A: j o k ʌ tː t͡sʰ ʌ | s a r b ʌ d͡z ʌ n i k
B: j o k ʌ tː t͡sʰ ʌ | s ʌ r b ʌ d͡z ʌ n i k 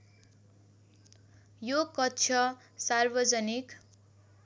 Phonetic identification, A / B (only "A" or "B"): A